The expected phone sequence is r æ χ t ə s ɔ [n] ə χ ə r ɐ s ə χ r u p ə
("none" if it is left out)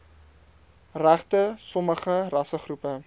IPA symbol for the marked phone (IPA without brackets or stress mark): m